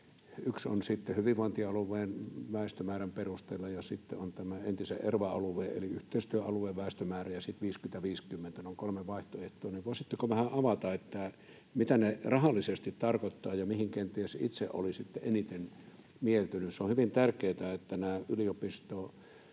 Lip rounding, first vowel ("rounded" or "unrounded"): rounded